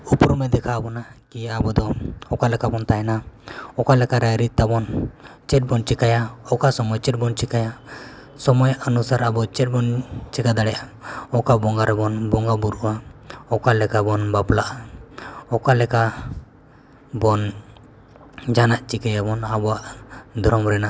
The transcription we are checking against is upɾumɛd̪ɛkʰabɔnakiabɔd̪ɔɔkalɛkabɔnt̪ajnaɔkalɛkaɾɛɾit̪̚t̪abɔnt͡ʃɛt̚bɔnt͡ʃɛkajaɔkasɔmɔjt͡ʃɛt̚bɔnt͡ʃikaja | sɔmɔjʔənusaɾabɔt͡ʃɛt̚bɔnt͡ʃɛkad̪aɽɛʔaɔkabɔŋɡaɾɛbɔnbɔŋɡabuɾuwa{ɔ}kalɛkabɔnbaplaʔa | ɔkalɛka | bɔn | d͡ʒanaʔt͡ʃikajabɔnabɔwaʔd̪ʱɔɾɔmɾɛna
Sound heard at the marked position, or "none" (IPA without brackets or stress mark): ɔ